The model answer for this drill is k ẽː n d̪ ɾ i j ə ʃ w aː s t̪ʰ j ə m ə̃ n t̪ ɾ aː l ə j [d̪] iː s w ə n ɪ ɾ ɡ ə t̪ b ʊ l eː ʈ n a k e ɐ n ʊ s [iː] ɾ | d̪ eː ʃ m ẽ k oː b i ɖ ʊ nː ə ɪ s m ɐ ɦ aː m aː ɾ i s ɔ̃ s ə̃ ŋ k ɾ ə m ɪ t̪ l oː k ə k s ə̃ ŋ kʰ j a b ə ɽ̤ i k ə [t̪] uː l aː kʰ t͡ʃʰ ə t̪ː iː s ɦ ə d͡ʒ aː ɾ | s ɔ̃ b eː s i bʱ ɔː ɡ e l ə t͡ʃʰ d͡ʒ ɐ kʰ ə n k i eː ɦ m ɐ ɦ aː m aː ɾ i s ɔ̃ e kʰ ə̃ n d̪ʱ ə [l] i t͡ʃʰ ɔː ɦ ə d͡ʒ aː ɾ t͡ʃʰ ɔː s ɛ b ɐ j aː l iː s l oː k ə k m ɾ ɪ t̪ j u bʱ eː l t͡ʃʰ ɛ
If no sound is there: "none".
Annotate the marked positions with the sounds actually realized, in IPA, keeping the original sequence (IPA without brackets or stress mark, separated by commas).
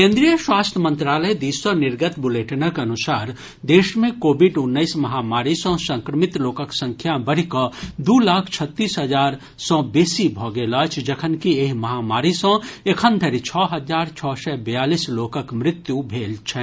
d̪, aː, d̪, ɾ